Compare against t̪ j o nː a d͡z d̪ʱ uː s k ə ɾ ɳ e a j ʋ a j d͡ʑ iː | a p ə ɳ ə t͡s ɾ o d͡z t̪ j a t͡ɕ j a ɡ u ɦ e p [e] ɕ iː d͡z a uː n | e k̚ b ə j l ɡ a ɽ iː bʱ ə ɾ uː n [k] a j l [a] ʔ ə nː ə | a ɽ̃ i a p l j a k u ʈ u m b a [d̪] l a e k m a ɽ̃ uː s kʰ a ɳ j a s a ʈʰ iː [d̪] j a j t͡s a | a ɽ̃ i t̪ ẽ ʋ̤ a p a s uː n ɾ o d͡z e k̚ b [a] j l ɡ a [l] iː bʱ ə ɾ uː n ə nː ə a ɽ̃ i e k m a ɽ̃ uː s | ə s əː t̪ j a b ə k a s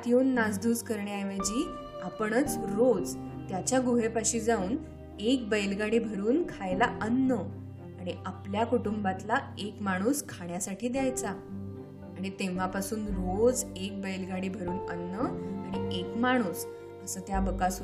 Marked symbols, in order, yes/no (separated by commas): no, no, yes, no, yes, no, no